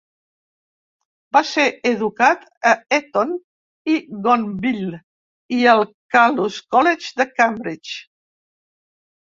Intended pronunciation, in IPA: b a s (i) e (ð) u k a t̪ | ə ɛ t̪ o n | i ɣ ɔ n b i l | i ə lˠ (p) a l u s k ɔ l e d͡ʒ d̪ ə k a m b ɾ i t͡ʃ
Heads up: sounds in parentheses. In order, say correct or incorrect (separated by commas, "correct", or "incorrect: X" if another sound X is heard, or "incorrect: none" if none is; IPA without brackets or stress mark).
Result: incorrect: e, correct, incorrect: k